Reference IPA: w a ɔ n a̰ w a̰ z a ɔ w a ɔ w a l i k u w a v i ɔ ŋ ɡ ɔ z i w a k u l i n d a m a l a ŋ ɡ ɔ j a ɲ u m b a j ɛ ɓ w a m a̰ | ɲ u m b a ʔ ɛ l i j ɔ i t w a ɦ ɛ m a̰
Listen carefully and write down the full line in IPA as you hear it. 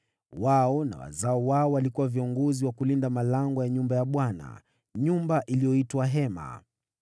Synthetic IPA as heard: w a ɔ n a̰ w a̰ z a ɔ w a ɔ w a l i k u w a v i ɔ ŋ ɡ ɔ z i w a k u l i n d a m a l a ŋ ɡ ɔ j a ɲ u m b a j a ɓ w a n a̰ | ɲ u m b a ʔ i l i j ɔ i t w a ɦ ɛ m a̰